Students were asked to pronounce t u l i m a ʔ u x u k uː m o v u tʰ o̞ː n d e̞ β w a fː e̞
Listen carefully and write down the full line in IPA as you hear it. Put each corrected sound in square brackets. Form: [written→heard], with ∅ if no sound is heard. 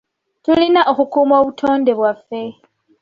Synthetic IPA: t u l i [m→n] a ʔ [u→o] x u k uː m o [v→β] u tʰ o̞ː n d e̞ β w a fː e̞